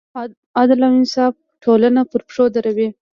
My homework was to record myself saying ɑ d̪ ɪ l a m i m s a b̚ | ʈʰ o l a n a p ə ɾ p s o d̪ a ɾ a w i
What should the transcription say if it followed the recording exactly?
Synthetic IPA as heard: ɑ d̪ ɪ l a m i n s ɑ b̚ | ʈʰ o l a n a p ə ɾ p ʂ o d̪ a ɾ a w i